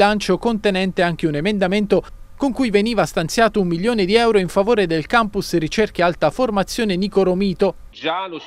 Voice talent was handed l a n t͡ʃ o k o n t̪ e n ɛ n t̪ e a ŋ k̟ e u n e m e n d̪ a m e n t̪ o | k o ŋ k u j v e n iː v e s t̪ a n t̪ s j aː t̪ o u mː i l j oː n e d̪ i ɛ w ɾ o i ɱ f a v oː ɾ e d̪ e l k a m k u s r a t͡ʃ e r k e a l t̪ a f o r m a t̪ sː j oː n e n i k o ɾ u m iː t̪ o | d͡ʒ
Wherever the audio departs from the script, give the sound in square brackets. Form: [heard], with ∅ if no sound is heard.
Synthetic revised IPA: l a n t͡ʃ o k o n t̪ e n ɛ n t̪ e a ŋ k̟ e u n e m e n d̪ a m e n t̪ o | k o ŋ k u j v e n iː v [a] s t̪ a n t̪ s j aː t̪ o u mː i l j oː n e d̪ i ɛ w ɾ o i ɱ f a v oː ɾ e d̪ e l k a m [p] u s r [i] t͡ʃ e r k e a l t̪ a f o r m a t̪ sː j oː n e n i k o ɾ [o] m iː t̪ o | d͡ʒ